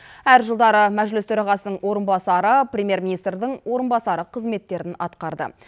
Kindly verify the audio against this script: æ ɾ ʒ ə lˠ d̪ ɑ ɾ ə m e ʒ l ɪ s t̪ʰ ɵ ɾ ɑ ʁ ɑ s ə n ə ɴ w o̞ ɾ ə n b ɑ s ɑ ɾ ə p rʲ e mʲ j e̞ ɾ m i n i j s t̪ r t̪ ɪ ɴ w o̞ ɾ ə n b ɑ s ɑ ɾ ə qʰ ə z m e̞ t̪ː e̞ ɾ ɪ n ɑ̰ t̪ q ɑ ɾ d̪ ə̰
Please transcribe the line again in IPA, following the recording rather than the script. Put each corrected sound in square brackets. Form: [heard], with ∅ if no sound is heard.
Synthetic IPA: æ ɾ ʒ ə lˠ d̪ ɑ ɾ ə m [æ] ʒ l ɪ s t̪ʰ ɵ ɾ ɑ ʁ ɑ s ə n ə ɴ w o̞ ɾ ə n b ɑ s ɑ ɾ ə p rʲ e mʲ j e̞ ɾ m i n i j s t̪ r [d̪] ɪ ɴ w o̞ ɾ ə n b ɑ s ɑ ɾ ə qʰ ə z m e̞ t̪ː e̞ ɾ ɪ n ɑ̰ t̪ q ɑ ɾ d̪ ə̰